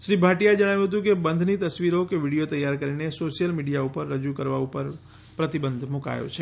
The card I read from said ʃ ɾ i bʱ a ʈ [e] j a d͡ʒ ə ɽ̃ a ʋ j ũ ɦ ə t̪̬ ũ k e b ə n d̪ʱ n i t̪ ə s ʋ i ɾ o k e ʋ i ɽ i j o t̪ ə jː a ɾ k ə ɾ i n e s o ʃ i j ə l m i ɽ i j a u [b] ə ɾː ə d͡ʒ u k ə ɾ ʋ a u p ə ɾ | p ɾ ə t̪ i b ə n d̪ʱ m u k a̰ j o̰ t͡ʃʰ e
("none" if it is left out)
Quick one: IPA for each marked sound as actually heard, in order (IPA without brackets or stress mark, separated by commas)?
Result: i, p